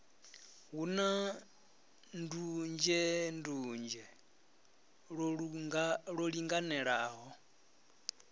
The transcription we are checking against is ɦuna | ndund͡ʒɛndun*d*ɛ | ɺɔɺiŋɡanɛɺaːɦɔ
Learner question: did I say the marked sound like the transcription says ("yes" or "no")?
no